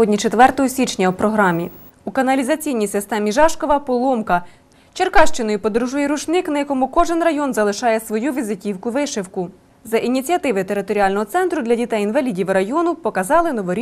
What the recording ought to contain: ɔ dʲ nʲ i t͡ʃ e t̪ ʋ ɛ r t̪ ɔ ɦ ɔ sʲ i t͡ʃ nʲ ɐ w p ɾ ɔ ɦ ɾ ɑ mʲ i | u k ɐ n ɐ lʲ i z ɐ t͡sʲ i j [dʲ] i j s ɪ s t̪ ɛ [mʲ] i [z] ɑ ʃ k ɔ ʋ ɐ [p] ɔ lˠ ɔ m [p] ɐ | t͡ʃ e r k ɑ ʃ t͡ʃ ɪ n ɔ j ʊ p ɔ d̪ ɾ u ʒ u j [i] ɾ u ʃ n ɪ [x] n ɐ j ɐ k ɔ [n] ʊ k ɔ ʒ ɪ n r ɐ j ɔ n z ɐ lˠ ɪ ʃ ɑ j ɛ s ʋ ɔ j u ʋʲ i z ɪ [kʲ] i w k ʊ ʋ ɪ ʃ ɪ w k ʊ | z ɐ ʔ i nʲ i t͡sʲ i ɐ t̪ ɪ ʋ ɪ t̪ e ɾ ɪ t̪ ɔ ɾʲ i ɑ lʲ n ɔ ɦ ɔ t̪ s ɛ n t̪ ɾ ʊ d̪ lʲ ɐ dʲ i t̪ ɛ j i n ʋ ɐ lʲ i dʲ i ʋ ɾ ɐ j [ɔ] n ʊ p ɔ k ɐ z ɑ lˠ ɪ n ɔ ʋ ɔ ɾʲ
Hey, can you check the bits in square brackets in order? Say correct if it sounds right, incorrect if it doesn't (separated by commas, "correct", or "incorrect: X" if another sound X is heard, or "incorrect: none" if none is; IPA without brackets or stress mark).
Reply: incorrect: nʲ, correct, incorrect: ʒ, correct, incorrect: k, incorrect: ɛ, incorrect: k, incorrect: m, incorrect: tʲ, correct